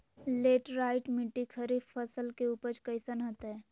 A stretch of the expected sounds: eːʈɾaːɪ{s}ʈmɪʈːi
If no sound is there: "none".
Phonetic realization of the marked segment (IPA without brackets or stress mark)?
none